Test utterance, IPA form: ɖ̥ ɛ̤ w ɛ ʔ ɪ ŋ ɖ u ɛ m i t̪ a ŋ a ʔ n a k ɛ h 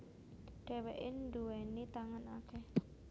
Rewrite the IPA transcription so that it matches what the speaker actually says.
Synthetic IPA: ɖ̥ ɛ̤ w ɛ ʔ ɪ n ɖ u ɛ n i t̪ a ŋ a n a k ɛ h

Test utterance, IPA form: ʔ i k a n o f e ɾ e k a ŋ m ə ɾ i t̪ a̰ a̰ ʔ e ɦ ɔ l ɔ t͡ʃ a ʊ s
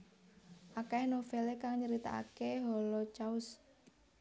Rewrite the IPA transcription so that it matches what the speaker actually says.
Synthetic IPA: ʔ a k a n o f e l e k a ŋ ɲ ə ɾ i t̪ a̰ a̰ k e ɦ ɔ l ɔ t͡ʃ a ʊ s

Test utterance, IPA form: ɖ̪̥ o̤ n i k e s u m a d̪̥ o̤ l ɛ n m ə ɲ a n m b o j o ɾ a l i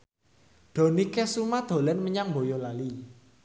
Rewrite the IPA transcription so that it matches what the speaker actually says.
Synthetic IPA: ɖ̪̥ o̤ n i k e s u m a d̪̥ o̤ l ɛ n m ə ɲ a ŋ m b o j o l a l i

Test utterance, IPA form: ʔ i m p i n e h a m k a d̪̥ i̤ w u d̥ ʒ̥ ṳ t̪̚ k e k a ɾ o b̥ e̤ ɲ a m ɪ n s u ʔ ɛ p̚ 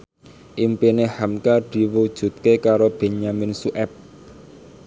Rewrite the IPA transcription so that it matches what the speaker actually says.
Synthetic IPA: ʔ i m p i n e h a m k a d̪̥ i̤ w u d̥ ʒ̥ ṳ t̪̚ k e k a ɾ o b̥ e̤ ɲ a m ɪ n s u ʔ ɛ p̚

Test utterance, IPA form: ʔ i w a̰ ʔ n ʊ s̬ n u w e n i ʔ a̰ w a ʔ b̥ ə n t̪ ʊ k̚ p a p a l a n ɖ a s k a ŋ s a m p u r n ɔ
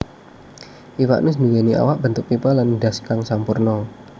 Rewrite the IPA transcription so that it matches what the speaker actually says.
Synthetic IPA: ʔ i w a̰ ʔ n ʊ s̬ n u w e n i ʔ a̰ w a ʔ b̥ ə n t̪ ʊ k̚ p i p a l a n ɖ a s k a ŋ s a m p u r n ɔ

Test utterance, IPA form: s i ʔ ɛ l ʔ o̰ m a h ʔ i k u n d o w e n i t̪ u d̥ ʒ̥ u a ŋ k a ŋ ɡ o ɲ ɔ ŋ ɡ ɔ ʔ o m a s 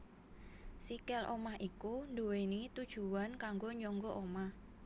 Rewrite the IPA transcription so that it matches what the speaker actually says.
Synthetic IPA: s i k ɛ l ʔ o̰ m a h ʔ i k u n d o w e n i t̪ u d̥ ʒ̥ u a n k a ŋ ɡ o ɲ ɔ ŋ ɡ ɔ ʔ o m a h

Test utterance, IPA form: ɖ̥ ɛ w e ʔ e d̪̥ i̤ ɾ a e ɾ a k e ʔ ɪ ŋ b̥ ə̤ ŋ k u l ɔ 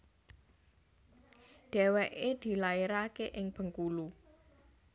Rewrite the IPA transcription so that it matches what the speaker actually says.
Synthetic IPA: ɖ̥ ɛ w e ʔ e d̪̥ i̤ l a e ɾ a k e ʔ ɪ ŋ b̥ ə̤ ŋ k u l u

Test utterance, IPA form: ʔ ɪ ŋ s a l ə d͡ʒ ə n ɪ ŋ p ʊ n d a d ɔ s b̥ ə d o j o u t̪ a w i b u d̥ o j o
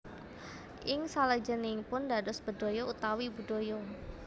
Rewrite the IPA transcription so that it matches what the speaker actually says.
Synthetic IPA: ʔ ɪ ŋ s a l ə d͡ʒ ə n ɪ ŋ p ʊ n d a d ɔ s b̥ ə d o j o u t̪ a w i b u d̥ o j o

